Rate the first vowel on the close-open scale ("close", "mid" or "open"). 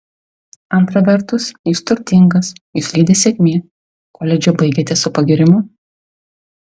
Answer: open